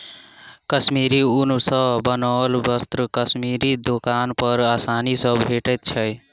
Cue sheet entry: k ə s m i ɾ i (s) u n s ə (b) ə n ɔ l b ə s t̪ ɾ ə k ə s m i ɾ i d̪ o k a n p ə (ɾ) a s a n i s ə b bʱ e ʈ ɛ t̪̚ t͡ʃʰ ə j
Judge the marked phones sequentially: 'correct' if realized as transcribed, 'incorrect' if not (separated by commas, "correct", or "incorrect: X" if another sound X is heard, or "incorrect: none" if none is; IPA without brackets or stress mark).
incorrect: none, correct, correct